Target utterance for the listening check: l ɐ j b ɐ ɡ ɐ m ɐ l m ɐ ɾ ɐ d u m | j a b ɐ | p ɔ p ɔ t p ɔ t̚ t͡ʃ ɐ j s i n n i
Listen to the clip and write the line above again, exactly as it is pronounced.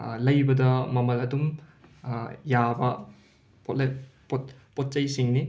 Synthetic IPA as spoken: l ɐ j b ɐ d ɐ m ɐ m ɐ l ɐ d u m | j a b ɐ | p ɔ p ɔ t p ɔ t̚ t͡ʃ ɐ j s i ŋ n i